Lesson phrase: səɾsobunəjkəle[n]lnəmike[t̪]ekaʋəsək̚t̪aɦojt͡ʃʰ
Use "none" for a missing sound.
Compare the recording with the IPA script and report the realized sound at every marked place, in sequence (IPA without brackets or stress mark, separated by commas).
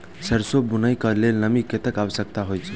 none, t̪